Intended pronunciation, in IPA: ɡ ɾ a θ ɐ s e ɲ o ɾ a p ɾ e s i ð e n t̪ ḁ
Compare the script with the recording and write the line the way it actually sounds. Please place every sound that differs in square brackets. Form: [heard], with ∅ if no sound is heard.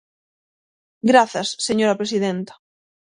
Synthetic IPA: ɡ ɾ a θ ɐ [sː] e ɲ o ɾ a p ɾ e s i ð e n t̪ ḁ